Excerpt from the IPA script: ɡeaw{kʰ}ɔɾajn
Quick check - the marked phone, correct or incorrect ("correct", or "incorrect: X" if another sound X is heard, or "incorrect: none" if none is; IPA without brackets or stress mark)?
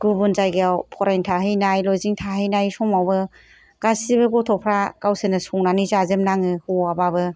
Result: incorrect: pʰ